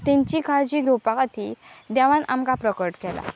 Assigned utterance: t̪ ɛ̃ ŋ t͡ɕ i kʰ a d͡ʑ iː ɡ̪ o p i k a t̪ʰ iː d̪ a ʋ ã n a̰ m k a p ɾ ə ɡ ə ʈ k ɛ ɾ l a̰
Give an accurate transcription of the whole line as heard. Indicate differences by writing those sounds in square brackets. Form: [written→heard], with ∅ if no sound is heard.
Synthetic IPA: t̪ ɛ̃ [ŋ→ɲ] t͡ɕ i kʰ a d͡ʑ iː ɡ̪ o p [i→a] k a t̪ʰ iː d̪ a ʋ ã n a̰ m k a p ɾ ə [ɡ→k] ə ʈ k ɛ [ɾ→∅] l a̰